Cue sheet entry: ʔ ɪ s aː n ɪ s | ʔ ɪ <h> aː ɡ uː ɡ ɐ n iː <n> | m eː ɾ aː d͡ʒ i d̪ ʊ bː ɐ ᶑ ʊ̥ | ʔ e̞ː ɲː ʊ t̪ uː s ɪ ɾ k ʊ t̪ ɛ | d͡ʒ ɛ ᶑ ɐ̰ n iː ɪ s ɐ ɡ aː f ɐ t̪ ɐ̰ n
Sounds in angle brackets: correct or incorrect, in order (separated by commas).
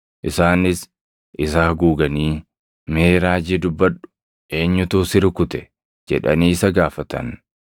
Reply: incorrect, incorrect